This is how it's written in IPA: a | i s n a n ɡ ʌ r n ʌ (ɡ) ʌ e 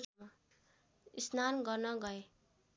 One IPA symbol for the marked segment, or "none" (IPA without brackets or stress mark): ɡ